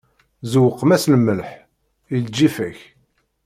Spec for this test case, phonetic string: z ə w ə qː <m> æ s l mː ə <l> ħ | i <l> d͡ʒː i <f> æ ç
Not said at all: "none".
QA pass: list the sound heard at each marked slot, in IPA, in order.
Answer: m, l, l, f

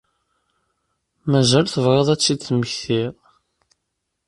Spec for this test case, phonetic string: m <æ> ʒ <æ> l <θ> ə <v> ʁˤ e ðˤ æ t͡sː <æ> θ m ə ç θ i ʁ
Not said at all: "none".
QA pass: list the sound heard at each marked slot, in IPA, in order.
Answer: æ, æ, θ, v, i

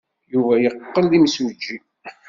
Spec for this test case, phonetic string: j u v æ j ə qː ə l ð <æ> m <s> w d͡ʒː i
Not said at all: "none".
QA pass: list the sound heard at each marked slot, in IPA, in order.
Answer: i, s

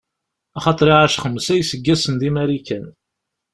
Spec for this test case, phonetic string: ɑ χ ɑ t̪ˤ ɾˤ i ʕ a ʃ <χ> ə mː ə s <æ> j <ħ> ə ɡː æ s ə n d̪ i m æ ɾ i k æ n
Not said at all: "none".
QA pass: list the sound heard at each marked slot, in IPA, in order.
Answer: χ, æ, s

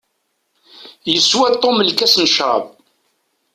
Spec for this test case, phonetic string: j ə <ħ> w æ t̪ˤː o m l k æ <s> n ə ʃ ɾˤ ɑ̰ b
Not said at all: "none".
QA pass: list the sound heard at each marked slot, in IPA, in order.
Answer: s, s

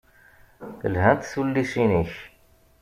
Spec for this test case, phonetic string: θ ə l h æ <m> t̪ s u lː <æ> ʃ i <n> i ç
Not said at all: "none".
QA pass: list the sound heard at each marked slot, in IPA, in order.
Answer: n, i, n

